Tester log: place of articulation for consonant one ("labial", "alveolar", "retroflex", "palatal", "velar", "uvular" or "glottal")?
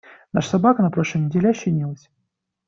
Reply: alveolar